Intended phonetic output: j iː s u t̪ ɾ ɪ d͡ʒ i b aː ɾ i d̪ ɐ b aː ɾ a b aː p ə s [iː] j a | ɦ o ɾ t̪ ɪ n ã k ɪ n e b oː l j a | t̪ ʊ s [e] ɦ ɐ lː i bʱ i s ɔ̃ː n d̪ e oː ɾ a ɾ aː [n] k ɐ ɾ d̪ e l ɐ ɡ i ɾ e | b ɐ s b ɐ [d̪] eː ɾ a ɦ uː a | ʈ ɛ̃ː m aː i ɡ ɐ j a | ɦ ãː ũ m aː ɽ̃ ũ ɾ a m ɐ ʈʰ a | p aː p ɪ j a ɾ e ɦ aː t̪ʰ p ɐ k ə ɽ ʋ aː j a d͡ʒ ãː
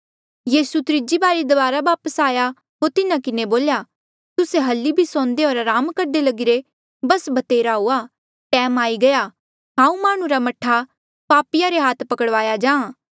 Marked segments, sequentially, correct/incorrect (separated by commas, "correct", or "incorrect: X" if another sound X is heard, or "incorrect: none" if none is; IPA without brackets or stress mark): incorrect: aː, correct, incorrect: m, incorrect: t̪